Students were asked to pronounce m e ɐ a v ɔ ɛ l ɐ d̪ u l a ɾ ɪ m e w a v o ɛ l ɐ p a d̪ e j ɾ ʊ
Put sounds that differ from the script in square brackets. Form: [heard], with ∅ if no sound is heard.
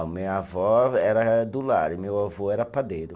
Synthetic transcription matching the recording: m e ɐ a v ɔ ɛ [ɾ] ɐ d̪ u l a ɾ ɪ m e w a v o ɛ [ɾ] ɐ p a d̪ e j ɾ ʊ

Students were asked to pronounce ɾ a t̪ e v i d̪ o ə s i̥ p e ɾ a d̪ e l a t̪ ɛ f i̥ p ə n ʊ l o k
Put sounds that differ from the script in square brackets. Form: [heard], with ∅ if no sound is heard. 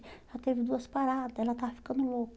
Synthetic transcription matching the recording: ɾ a t̪ e v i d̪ [u] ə s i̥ p [a] ɾ a d̪ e l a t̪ [a] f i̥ [k] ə n [u] l o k

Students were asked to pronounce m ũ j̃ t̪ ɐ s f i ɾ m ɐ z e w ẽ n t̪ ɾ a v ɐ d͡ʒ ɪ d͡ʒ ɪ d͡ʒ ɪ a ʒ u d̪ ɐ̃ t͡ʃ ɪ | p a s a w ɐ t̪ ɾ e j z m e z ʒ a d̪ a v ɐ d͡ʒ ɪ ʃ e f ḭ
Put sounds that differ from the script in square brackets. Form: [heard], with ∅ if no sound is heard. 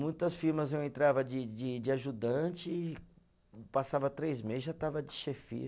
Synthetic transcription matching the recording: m ũ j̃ t̪ ɐ s f i ɾ m ɐ z e w ẽ n t̪ ɾ a v ɐ d͡ʒ ɪ d͡ʒ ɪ d͡ʒ ɪ a ʒ u d̪ ɐ̃ t͡ʃ ɪ | p a s a [v] ɐ t̪ ɾ e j z m e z ʒ a [t̪] a v ɐ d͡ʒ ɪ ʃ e f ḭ

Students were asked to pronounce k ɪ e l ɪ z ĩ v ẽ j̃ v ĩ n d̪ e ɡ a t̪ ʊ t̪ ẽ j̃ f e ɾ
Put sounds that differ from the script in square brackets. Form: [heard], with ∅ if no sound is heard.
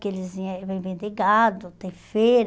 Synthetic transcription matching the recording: k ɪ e l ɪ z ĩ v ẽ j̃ v [ẽ] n d̪ e ɡ a [d̪] ʊ t̪ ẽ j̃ f e ɾ

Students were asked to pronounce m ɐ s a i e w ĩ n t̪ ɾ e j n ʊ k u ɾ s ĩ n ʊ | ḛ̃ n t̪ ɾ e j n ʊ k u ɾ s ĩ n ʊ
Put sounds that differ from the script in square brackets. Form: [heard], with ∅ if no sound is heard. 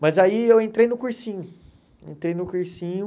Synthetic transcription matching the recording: m ɐ [z] a i e w [ẽ] n t̪ ɾ e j n ʊ k u ɾ s ĩ [ɲ] ʊ | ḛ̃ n t̪ ɾ e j n ʊ k u ɾ s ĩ [ɲ] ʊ

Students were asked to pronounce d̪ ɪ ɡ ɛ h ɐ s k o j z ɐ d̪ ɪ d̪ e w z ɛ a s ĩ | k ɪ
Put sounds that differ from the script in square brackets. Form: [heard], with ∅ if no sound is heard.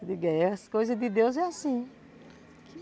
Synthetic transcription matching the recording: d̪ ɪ ɡ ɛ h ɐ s k o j z ɐ d̪ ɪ d̪ e w z ɛ a s ĩ | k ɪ

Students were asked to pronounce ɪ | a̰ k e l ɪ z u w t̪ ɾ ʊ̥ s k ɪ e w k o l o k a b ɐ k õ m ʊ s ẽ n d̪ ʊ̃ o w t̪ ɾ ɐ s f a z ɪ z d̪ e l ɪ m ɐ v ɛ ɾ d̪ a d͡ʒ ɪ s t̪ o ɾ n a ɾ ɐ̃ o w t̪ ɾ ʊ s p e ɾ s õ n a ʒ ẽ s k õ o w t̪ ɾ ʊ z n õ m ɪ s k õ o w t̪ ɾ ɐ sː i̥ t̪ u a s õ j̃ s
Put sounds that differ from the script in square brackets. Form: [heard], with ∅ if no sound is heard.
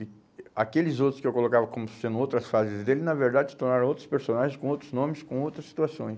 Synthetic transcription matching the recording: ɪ | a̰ k e l ɪ z [o] w t̪ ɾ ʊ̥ s k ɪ e w k o l o k a [v] ɐ k õ m ʊ s ẽ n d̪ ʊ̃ o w t̪ ɾ ɐ s f a z ɪ z d̪ e l ɪ [n] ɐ v [e] ɾ d̪ a d͡ʒ ɪ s t̪ o ɾ n a ɾ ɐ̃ o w t̪ ɾ ʊ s p e ɾ s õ n a ʒ ẽ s k õ o w t̪ ɾ ʊ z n õ m ɪ s k õ o w t̪ ɾ ɐ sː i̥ t̪ u a s õ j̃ s

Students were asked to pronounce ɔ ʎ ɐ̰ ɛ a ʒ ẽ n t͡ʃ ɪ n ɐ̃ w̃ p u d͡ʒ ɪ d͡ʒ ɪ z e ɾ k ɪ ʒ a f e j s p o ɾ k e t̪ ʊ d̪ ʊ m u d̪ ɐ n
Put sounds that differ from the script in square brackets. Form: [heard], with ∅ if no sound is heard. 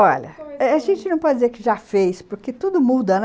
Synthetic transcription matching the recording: ɔ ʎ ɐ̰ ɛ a ʒ ẽ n t͡ʃ ɪ n ɐ̃ w̃ p [ɔ] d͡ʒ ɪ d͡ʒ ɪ z e ɾ k ɪ ʒ a f e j s p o ɾ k e t̪ [u] d̪ ʊ m u d̪ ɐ n

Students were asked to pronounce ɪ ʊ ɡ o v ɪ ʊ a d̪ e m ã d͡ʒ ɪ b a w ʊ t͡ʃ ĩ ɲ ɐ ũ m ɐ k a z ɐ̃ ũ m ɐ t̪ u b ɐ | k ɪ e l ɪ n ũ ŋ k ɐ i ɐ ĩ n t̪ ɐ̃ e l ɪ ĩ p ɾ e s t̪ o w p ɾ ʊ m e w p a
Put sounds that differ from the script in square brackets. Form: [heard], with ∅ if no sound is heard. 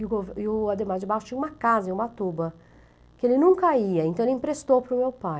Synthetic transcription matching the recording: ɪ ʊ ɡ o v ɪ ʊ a d̪ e m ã d͡ʒ ɪ b a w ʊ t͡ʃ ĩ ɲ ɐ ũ m ɐ k a z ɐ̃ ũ m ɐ t̪ u b ɐ | k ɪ e l ɪ n ũ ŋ k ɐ i ɐ [ẽ] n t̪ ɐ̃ e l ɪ ĩ p ɾ e s t̪ o w p ɾ ʊ m e w p a

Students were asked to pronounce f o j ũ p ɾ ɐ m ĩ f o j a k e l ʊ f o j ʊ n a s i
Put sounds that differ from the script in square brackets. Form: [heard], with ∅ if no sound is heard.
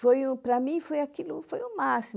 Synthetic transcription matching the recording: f o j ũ p ɾ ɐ m ĩ f o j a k [i] l ʊ f o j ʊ [m] a s i

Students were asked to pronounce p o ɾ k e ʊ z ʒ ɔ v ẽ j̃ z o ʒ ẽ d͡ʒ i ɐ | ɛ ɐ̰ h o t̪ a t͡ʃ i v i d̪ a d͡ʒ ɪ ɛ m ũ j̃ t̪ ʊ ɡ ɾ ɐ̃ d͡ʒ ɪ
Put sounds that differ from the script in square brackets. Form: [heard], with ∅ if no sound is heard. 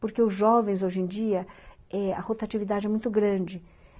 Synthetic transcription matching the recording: p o ɾ k e ʊ z ʒ ɔ v ẽ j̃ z o ʒ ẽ d͡ʒ i ɐ | ɛ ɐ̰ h o t̪ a t͡ʃ i v i d̪ a d͡ʒ ɪ ɛ m ũ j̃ t̪ ʊ ɡ ɾ ɐ̃ d͡ʒ ɪ

